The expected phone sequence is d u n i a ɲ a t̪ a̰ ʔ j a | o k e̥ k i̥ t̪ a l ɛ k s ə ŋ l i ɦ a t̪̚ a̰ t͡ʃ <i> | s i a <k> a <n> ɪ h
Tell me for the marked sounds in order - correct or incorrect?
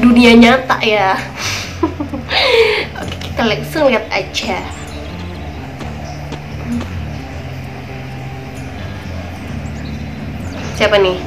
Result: incorrect: a, incorrect: p, correct

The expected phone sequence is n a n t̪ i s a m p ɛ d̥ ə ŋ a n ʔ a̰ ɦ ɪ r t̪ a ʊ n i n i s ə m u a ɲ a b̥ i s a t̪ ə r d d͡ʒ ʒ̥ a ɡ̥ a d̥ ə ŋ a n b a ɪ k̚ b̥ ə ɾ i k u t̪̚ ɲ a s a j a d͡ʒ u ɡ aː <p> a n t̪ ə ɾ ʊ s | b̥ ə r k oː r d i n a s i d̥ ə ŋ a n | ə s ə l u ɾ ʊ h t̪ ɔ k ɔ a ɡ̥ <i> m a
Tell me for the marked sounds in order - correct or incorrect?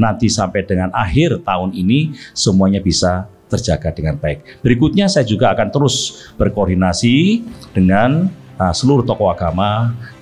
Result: incorrect: k, incorrect: a

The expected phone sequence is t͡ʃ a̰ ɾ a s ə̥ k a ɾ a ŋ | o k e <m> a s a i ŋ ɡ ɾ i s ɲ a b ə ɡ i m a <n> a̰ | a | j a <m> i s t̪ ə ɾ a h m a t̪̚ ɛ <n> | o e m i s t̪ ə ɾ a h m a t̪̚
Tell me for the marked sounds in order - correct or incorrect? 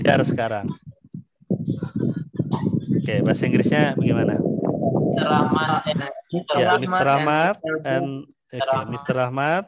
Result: incorrect: b, correct, correct, correct

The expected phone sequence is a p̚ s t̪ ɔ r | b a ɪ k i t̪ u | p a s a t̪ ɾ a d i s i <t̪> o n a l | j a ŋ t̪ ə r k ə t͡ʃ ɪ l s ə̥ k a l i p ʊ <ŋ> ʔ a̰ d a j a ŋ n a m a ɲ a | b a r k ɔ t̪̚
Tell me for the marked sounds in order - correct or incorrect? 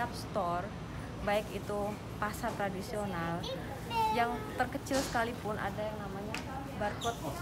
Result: incorrect: none, incorrect: n

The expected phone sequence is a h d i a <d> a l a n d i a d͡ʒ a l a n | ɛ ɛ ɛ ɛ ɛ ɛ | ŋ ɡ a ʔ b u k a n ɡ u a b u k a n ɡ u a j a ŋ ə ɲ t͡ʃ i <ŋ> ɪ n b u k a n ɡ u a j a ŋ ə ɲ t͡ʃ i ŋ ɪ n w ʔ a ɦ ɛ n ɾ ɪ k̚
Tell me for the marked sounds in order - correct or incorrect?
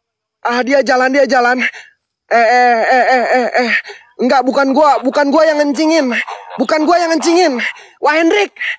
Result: incorrect: d͡ʒ, correct

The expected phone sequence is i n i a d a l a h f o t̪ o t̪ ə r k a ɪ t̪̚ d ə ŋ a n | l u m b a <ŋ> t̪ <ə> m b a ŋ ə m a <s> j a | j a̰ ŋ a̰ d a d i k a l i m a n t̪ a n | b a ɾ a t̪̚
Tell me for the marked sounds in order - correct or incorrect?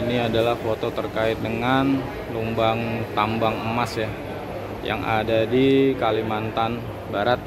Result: correct, incorrect: a, correct

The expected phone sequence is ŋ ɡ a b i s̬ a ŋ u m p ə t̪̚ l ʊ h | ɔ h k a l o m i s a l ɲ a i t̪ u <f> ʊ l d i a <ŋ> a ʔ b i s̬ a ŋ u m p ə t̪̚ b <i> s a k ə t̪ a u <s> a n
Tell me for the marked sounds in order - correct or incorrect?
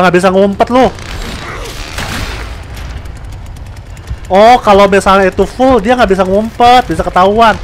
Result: correct, correct, correct, incorrect: none

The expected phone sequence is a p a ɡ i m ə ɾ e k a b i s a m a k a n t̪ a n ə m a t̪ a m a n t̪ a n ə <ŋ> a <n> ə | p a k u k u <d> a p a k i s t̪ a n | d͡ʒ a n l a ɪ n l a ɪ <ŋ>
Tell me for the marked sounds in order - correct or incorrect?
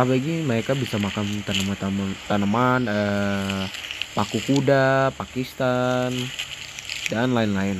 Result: incorrect: m, correct, correct, incorrect: n

